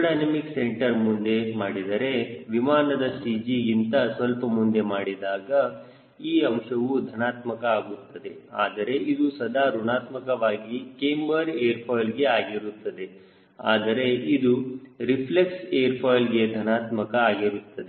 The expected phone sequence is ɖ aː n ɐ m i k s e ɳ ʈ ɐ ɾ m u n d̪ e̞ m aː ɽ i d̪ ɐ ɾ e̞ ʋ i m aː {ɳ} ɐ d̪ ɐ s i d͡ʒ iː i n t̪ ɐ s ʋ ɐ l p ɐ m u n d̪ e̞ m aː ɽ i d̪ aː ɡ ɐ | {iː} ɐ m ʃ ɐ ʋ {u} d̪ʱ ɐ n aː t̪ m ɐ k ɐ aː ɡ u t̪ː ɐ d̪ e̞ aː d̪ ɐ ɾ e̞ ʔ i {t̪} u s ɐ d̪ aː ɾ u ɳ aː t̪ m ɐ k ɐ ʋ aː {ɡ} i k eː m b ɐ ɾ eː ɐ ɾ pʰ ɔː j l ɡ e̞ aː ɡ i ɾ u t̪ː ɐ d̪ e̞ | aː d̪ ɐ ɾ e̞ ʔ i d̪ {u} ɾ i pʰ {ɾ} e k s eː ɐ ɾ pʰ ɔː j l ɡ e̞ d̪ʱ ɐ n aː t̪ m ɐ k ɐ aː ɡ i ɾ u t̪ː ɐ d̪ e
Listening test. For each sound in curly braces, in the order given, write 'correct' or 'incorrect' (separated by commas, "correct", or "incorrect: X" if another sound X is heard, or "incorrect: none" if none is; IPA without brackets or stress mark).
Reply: incorrect: n, correct, correct, incorrect: d̪, correct, correct, incorrect: l